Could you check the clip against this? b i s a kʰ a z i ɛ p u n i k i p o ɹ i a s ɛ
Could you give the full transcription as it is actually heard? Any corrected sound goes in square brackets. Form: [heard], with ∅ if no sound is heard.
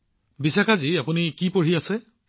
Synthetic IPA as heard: b i s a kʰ a z i [a] p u n i k i p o ɹ i a s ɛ